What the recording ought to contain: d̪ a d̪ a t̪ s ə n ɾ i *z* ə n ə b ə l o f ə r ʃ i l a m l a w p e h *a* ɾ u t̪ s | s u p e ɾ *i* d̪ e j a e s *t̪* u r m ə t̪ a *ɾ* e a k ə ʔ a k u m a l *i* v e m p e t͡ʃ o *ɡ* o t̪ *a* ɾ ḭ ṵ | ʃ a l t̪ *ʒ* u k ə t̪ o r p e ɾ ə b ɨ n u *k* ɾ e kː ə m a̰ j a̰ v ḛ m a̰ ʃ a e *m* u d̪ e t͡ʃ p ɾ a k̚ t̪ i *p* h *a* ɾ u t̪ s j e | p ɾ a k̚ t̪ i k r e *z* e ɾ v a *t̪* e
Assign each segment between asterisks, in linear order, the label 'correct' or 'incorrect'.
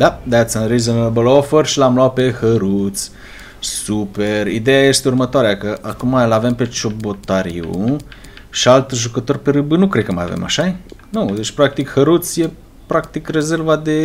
correct, incorrect, correct, correct, correct, incorrect, incorrect, correct, correct, correct, incorrect, incorrect, incorrect, correct, incorrect

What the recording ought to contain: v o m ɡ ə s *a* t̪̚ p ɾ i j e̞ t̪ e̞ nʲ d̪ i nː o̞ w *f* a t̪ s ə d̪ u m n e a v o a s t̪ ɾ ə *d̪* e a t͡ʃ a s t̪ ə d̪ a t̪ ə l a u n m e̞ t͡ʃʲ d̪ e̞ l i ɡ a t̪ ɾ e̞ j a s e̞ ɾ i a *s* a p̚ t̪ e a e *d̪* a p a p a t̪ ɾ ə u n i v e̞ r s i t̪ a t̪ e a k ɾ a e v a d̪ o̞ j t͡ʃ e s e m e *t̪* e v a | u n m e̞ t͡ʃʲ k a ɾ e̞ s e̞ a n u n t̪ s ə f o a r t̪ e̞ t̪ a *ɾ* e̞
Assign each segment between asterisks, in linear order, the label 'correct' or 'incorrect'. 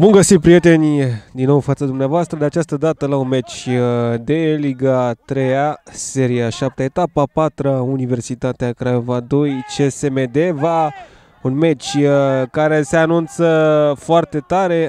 incorrect, correct, correct, incorrect, incorrect, incorrect, correct

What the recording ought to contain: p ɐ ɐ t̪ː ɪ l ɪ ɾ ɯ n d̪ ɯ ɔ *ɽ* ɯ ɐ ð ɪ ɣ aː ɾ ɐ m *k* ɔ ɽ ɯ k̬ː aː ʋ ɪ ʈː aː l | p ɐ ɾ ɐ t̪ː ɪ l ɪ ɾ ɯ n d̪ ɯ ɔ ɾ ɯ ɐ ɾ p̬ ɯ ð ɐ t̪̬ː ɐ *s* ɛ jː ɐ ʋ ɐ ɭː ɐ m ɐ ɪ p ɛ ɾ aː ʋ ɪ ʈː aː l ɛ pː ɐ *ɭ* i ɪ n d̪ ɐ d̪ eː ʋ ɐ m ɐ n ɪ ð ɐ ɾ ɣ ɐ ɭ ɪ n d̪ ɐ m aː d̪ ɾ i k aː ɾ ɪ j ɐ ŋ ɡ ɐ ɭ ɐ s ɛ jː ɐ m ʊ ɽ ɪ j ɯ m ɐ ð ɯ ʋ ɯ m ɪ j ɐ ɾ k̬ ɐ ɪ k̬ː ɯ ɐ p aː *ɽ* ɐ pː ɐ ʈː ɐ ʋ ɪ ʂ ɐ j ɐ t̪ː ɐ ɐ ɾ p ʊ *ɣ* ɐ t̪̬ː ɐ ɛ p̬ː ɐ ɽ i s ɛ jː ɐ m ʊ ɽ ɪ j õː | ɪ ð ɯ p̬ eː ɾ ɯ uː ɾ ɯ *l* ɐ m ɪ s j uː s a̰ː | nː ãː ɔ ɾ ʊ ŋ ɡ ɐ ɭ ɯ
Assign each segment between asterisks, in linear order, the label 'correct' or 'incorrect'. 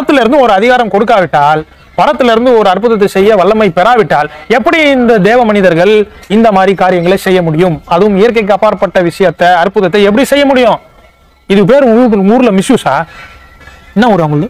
incorrect, correct, correct, incorrect, incorrect, incorrect, correct

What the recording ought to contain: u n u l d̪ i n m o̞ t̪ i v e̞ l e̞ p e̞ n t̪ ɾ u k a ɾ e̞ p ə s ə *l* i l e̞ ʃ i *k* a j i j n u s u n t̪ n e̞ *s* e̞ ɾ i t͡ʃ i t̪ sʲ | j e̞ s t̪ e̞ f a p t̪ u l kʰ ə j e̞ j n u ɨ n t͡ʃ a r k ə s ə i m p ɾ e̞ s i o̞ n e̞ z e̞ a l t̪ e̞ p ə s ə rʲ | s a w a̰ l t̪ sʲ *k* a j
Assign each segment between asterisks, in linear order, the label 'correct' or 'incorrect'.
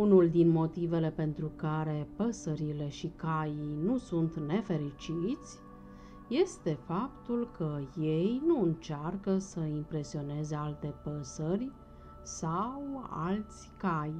incorrect, correct, incorrect, correct

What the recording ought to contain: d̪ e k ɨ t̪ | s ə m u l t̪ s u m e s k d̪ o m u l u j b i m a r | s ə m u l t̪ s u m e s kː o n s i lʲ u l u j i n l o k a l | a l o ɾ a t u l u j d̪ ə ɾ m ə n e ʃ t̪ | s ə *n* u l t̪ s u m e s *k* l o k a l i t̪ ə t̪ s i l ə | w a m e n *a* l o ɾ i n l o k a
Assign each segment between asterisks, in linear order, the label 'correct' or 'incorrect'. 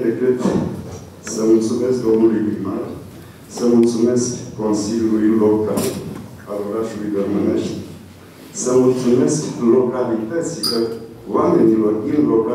incorrect, correct, incorrect

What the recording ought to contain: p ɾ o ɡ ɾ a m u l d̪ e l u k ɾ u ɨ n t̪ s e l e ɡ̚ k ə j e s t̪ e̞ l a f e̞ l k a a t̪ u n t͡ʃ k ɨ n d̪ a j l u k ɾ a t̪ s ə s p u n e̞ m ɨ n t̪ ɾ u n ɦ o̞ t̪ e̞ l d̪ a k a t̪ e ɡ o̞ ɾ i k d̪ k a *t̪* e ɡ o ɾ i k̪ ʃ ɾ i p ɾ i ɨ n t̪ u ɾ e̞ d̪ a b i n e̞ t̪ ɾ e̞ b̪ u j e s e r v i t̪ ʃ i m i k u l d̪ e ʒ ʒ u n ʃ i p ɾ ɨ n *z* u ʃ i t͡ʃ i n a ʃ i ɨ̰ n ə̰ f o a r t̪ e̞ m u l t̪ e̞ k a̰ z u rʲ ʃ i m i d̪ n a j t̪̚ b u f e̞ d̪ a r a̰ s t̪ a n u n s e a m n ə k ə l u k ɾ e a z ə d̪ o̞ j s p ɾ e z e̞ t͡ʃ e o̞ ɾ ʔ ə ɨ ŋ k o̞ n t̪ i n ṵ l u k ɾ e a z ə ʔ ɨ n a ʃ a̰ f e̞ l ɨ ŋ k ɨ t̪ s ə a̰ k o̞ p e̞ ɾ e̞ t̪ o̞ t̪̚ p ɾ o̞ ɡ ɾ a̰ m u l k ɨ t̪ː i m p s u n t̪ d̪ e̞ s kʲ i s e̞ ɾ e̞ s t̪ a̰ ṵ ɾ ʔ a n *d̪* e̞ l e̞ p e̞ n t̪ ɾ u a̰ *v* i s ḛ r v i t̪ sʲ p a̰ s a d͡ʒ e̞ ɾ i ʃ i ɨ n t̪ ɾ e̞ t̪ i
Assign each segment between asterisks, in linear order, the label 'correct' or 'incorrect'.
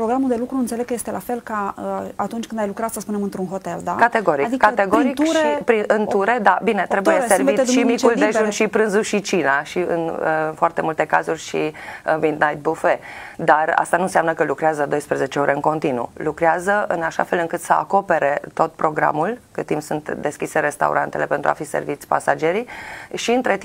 correct, correct, incorrect, incorrect

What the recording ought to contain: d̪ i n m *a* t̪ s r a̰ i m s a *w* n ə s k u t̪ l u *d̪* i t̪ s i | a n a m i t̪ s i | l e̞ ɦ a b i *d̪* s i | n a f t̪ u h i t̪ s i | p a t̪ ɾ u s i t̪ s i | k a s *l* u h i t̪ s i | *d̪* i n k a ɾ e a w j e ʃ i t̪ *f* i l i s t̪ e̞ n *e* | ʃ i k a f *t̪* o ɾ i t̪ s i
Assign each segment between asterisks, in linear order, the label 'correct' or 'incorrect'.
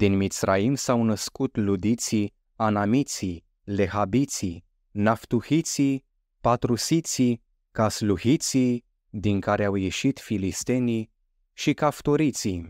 incorrect, correct, correct, incorrect, correct, correct, correct, incorrect, correct

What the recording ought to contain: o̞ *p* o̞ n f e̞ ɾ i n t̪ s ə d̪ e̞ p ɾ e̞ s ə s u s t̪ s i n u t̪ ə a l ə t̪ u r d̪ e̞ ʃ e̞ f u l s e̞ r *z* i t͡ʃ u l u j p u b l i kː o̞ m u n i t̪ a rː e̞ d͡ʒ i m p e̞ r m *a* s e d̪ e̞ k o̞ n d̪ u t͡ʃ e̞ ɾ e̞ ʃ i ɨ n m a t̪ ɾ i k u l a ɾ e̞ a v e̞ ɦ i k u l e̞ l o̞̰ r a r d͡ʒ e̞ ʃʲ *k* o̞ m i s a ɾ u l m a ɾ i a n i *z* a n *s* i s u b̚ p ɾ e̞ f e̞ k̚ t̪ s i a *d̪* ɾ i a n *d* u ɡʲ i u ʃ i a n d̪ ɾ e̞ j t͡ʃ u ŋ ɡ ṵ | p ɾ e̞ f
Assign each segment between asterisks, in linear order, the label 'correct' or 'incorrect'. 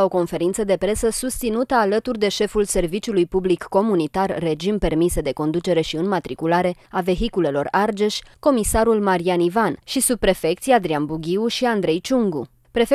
incorrect, incorrect, incorrect, correct, incorrect, incorrect, correct, incorrect

